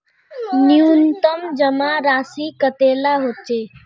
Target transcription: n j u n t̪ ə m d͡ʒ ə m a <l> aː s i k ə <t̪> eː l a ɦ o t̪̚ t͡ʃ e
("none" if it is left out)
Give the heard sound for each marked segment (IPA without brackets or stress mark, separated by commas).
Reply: ɾ, t̪